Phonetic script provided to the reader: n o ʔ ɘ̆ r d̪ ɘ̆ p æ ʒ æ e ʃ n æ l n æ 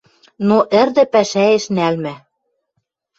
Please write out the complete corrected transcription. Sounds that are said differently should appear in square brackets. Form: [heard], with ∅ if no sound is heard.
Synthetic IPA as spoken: n o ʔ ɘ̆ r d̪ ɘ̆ p æ [ʃ] æ e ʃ n æ l [m] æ